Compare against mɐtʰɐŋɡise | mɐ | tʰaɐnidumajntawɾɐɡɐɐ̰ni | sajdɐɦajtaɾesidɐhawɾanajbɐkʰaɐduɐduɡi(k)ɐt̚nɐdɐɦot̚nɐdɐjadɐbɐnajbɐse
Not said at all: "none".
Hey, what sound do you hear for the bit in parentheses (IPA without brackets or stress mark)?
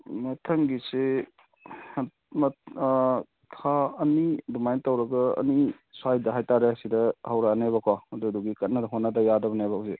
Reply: k